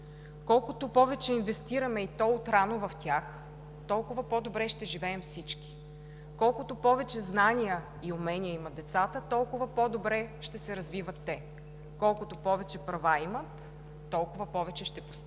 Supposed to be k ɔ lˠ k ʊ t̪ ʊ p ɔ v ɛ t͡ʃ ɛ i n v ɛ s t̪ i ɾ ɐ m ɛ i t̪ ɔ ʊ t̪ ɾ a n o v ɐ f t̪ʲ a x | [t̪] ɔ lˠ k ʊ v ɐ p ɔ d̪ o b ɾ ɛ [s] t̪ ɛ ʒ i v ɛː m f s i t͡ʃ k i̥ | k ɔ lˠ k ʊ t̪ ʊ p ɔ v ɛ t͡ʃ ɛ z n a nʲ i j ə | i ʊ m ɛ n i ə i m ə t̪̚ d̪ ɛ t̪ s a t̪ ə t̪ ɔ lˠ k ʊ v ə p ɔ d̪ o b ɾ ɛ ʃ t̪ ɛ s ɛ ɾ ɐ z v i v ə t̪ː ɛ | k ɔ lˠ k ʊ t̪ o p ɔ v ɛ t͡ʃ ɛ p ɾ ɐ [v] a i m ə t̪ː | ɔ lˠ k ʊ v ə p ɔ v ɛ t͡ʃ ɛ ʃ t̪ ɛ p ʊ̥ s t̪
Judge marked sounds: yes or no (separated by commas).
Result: yes, no, yes